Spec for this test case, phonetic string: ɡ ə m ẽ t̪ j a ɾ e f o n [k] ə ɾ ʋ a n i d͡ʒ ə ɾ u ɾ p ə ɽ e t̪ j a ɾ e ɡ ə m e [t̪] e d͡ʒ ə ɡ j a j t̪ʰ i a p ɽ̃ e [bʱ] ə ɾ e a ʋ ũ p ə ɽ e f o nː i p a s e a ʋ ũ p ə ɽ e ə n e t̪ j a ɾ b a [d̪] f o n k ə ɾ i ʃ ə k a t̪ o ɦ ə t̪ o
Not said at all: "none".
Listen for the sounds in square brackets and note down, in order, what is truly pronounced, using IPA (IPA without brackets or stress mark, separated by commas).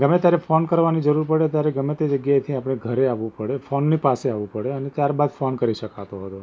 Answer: k, t̪, ɡʱ, d̪